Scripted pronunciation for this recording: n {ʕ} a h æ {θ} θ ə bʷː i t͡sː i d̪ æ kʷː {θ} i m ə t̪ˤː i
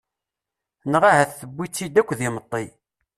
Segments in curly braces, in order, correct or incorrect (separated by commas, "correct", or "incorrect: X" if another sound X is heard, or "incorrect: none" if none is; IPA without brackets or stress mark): incorrect: ʁ, correct, incorrect: ð